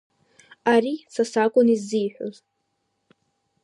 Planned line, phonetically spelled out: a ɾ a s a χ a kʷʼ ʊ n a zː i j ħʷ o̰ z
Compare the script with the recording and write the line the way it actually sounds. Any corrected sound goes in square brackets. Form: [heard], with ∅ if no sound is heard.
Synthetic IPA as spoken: a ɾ [i] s a [s] a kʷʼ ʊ n [i] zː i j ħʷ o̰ z